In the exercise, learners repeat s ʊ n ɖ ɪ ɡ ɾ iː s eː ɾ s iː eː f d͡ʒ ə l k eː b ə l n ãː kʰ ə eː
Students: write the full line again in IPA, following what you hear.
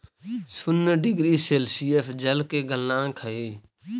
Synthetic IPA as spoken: s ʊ n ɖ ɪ ɡ ɾ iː s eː l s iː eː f d͡ʒ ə l k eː ɡ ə l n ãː kʰ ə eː